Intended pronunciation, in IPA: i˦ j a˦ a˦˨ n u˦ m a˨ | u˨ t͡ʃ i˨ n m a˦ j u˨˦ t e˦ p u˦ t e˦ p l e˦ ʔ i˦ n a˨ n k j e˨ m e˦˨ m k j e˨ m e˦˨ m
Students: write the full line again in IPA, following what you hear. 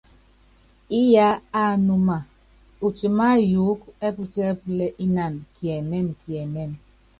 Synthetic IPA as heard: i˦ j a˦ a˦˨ n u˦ m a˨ | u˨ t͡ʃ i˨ m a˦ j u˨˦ k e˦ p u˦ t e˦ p l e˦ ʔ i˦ n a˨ n k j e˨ m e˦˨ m k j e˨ m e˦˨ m